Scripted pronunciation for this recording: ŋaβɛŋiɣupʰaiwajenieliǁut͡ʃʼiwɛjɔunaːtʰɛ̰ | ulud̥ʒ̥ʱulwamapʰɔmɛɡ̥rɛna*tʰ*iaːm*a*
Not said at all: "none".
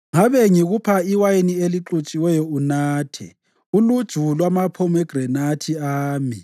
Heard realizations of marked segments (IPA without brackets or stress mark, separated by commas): tʰ, i